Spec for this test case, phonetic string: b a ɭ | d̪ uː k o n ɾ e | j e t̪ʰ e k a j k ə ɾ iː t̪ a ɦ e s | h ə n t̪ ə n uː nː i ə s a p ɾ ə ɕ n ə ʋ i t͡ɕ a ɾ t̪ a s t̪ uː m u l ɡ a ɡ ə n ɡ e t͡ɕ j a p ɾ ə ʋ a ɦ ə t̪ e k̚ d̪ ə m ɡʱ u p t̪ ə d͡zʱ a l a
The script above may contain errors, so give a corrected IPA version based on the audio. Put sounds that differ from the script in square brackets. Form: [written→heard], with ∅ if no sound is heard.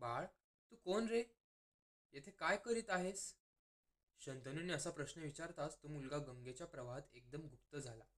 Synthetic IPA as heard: b a ɭ | [d̪→t̪] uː k o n ɾ e | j e t̪ʰ e k a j k ə ɾ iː t̪ a ɦ e s | [h→ɕ] ə n t̪ ə n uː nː i ə s a p ɾ ə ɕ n ə ʋ i t͡ɕ a ɾ t̪ a s t̪ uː m u l ɡ a ɡ ə [n→ŋ] ɡ e t͡ɕ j a p ɾ ə ʋ a ɦ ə t̪ e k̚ d̪ ə m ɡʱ u p t̪ ə d͡zʱ a l a